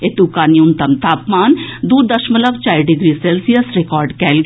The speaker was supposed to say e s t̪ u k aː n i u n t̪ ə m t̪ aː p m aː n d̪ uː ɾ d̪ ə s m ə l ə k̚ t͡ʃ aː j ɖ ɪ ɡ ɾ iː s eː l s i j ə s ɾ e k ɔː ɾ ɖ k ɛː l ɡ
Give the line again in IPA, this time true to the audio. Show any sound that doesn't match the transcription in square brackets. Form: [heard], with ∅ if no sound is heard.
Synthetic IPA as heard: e [∅] t̪ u k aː n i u n t̪ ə m t̪ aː p m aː n d̪ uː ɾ d̪ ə [ʃ] m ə l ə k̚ t͡ʃ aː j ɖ ɪ ɡ ɾ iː s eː l s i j ə s ɾ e k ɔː ɾ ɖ k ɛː l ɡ